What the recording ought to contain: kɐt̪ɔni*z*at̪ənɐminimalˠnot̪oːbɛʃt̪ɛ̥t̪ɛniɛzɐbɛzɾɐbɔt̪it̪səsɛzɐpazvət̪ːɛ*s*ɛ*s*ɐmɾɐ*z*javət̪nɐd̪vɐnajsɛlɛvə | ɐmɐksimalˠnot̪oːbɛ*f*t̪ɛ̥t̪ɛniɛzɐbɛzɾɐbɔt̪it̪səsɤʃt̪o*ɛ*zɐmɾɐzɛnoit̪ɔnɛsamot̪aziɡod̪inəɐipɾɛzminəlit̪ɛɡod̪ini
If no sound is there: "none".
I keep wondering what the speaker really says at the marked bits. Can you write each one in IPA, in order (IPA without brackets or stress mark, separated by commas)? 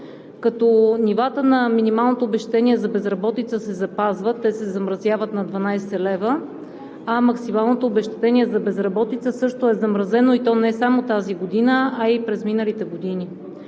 v, s, z, z, ʃ, ɛ